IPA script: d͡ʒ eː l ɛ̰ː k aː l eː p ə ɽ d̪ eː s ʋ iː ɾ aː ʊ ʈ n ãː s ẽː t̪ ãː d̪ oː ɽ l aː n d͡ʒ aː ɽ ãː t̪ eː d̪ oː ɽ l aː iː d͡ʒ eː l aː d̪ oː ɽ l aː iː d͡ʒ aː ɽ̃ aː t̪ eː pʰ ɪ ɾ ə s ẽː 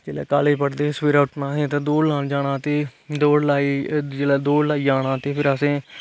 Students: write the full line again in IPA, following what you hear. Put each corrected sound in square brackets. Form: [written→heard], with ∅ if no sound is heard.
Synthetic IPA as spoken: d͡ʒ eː l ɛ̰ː k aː l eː p ə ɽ d̪ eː s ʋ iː ɾ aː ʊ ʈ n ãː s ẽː t̪ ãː d̪ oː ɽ l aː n d͡ʒ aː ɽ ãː t̪ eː d̪ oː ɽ l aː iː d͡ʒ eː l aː d̪ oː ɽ l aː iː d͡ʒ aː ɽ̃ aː t̪ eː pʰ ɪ ɾ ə s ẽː